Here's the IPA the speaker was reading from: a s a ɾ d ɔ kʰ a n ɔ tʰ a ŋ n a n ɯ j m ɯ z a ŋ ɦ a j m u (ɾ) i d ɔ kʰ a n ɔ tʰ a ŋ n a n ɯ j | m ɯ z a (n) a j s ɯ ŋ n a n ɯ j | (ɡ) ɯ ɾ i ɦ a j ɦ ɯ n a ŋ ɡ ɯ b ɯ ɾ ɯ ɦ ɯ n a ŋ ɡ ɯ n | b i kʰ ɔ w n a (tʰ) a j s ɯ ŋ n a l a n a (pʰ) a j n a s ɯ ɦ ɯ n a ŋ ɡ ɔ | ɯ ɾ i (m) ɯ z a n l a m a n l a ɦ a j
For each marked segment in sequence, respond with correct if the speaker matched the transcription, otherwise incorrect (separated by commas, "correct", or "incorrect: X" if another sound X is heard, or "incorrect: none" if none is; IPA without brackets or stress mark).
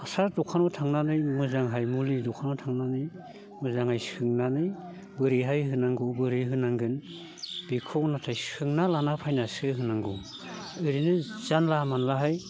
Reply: incorrect: l, incorrect: ŋ, incorrect: b, correct, correct, incorrect: n